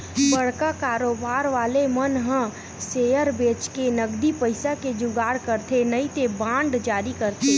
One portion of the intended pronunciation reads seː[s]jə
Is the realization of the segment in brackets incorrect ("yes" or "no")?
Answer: yes